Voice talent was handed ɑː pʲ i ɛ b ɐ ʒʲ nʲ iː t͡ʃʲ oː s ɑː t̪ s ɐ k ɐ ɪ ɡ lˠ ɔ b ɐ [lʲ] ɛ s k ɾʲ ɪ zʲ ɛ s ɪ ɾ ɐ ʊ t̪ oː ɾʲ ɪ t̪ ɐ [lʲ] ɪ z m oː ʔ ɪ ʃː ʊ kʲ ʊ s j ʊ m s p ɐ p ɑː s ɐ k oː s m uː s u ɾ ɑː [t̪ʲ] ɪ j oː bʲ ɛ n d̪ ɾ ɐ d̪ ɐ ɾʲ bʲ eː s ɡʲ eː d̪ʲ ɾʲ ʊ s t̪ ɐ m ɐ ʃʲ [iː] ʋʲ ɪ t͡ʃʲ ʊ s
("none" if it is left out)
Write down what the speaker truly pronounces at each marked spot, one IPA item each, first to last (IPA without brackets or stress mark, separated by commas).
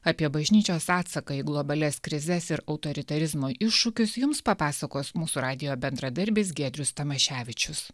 lʲ, ɾʲ, d̪ʲ, æː